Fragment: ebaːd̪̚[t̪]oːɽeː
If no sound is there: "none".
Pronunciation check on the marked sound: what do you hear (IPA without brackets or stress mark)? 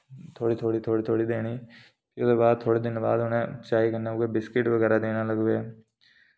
t̪ʰ